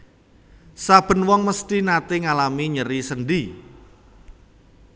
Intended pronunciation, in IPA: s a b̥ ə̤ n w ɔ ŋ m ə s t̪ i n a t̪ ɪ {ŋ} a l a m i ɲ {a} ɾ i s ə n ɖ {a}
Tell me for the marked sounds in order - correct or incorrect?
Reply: correct, incorrect: ə, incorrect: i

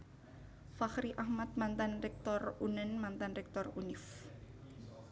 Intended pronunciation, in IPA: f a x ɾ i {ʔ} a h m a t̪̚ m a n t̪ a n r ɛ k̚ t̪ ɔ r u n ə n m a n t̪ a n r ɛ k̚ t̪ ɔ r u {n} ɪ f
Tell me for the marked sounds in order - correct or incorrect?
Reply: correct, correct

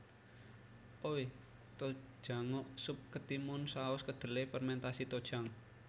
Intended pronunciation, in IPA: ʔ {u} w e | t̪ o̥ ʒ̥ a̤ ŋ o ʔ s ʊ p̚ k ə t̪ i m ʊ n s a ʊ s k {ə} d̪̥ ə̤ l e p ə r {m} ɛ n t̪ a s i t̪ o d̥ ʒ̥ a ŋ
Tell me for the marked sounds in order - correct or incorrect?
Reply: incorrect: o, correct, correct

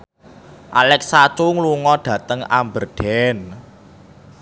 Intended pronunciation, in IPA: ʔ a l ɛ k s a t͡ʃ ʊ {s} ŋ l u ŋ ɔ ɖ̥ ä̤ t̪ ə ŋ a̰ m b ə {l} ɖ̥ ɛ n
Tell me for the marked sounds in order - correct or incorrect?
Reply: incorrect: none, incorrect: r

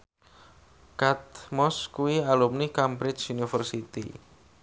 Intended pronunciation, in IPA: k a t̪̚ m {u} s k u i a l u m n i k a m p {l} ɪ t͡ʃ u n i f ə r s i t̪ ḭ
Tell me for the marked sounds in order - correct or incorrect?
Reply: incorrect: ɔ, incorrect: ɾ

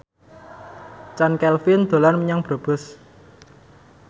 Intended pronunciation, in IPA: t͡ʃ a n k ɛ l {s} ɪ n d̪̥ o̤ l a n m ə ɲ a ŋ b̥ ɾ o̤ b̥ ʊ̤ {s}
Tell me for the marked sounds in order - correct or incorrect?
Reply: incorrect: f, correct

